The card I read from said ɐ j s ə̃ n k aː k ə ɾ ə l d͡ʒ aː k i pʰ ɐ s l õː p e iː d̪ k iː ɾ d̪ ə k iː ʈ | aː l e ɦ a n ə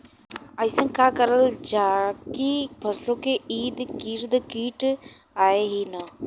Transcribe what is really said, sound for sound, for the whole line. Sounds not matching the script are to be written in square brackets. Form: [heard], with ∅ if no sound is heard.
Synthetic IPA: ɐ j s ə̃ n k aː k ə ɾ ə l d͡ʒ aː k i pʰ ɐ s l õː [k] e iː d̪ k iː ɾ d̪ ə k iː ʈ | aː [∅] e ɦ [i] n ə